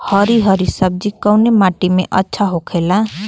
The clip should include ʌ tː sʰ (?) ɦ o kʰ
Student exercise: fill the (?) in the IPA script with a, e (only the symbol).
a